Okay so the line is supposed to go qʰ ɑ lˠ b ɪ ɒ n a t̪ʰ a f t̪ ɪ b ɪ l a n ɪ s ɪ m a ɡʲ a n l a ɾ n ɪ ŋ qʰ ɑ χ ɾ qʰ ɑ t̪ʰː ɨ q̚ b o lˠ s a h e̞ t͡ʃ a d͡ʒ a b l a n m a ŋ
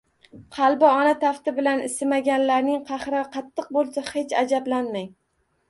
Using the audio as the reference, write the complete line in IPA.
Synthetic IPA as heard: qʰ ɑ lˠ b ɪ ɒ n a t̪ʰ a f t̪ ɪ b ɪ l a n ɪ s ɪ m a ɡʲ a n l a ɾ n ɪ ŋ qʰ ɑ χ ɾ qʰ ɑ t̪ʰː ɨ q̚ b o lˠ s a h e̞ t͡ʃ a d͡ʒ a b l a n m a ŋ